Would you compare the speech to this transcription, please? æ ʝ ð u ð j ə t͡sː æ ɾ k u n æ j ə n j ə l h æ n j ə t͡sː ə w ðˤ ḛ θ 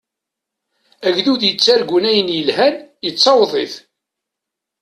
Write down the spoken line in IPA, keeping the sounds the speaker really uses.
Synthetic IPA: æ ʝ ð u ð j ə t͡sː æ ɾ ɡ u n æ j ə n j ə l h æ n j ə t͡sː ɑ w ðˤ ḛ θ